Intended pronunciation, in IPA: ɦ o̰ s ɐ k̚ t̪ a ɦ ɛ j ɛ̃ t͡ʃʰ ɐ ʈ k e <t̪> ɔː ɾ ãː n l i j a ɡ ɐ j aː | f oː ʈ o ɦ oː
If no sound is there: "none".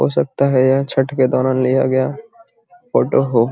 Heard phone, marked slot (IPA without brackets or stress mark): d̪